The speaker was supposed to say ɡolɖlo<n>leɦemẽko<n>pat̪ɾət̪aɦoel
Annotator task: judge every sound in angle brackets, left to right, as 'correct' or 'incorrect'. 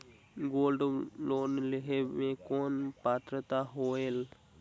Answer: correct, correct

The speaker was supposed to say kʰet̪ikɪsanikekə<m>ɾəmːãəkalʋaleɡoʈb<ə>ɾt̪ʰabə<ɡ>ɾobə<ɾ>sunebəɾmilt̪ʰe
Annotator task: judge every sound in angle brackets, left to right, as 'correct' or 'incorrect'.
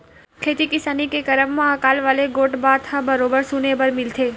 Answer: incorrect, incorrect, incorrect, correct

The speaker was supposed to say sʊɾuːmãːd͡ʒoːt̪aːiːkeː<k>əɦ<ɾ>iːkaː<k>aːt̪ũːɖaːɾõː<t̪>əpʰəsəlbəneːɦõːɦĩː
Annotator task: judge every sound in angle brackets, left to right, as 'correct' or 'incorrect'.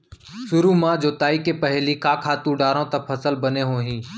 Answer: incorrect, incorrect, incorrect, correct

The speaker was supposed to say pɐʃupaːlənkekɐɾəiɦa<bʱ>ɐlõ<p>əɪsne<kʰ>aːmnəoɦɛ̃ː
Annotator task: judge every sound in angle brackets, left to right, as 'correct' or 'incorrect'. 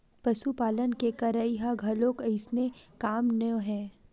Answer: incorrect, incorrect, incorrect

